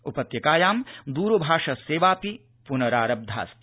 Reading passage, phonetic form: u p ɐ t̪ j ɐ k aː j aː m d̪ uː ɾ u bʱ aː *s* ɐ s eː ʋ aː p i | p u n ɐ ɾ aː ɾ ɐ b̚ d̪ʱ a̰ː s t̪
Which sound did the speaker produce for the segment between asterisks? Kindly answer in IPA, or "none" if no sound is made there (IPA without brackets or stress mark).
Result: ʂ